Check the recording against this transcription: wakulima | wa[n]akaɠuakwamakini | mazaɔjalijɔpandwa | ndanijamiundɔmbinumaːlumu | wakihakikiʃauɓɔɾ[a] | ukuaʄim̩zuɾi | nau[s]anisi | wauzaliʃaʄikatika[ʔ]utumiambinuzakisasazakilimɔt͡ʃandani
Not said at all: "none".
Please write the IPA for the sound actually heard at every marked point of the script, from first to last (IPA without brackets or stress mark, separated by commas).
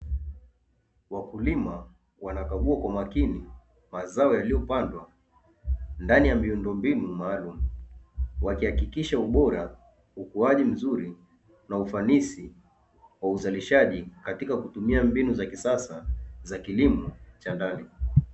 n, a, f, k